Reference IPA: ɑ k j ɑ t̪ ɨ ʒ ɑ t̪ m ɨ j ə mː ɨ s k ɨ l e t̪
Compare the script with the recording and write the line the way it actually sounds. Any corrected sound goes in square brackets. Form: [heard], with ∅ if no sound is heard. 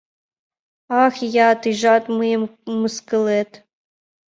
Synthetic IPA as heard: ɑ [x] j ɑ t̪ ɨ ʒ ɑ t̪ m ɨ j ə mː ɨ s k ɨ l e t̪